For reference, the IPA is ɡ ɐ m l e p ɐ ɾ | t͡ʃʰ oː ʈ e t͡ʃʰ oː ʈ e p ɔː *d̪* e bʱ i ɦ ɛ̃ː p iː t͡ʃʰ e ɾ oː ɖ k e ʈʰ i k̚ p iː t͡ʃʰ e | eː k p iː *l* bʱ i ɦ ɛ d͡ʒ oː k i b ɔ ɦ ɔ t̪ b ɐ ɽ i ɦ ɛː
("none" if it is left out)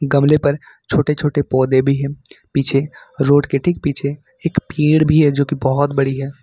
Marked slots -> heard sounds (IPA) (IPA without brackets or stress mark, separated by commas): d̪, ɽ